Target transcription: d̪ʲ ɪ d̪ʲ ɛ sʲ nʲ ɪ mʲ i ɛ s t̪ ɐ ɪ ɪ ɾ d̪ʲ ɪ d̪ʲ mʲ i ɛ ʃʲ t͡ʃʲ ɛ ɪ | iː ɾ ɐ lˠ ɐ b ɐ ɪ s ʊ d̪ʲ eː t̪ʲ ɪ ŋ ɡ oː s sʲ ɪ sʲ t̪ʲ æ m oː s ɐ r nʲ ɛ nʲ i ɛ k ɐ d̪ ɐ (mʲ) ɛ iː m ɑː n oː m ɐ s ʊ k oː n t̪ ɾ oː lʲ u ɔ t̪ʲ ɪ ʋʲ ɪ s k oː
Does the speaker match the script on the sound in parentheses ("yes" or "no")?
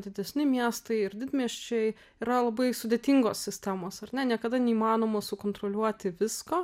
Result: no